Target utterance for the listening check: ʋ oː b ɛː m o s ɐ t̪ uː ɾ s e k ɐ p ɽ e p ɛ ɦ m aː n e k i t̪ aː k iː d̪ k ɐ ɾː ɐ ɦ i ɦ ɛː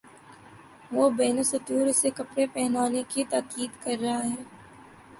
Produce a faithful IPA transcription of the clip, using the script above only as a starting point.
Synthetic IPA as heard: ʋ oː b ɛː n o s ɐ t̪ uː ɾ s e k ɐ p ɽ e p ɛ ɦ n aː n e k i t̪ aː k iː d̪ k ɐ ɾː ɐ ɦ a ɦ ɛː